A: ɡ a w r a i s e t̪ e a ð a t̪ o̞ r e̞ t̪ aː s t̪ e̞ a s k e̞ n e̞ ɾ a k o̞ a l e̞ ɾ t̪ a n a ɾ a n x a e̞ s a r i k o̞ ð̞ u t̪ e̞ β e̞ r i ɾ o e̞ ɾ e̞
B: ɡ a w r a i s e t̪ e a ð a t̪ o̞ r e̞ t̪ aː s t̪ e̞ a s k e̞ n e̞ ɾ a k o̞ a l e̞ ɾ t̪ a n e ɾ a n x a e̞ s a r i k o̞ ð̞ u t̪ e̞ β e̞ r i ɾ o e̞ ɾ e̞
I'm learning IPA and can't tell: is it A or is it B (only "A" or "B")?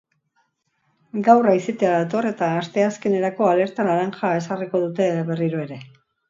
A